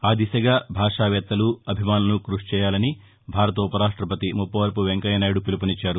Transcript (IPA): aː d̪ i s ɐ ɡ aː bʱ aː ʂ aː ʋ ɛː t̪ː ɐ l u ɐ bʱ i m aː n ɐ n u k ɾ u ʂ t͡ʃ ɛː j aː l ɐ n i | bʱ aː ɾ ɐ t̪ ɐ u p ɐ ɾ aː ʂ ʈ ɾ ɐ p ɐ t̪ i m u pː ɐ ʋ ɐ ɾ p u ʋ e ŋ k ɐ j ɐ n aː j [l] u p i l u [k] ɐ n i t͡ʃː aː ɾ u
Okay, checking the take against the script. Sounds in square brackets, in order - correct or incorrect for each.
incorrect, incorrect

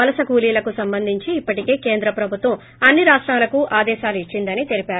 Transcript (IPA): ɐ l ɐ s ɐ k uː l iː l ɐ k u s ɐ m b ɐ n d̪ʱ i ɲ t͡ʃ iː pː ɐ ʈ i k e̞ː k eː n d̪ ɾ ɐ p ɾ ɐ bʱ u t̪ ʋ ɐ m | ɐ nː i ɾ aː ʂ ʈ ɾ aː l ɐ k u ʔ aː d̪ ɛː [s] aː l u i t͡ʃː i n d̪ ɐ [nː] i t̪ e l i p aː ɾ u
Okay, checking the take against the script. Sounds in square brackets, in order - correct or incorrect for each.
incorrect, incorrect

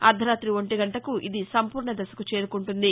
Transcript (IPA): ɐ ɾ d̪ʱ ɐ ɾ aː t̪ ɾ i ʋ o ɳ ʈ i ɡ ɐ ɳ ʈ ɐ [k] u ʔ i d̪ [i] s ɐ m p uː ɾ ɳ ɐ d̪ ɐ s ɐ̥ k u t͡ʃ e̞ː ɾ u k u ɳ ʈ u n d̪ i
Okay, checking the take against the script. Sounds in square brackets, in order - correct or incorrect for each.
correct, correct

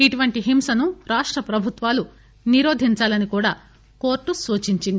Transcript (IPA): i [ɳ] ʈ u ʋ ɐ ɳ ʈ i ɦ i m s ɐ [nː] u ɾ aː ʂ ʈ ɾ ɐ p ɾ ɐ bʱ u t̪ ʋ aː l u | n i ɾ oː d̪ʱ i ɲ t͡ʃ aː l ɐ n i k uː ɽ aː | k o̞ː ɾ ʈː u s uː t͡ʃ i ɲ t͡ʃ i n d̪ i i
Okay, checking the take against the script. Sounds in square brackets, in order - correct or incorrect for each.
incorrect, incorrect

